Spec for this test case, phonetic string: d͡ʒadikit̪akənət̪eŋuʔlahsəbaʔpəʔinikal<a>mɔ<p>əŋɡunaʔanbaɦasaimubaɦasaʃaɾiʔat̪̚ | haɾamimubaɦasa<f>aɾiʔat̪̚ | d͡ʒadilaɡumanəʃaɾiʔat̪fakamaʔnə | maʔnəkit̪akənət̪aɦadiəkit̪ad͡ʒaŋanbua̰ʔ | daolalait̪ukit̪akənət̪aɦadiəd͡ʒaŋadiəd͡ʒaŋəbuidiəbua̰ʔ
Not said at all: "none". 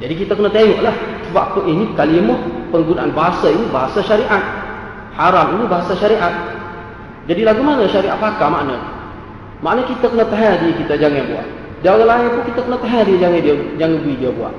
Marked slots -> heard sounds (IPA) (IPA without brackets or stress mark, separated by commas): i, p, ʃ